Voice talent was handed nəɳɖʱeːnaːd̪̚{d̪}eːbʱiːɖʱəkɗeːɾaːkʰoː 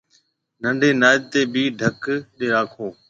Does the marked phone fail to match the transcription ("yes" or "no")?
yes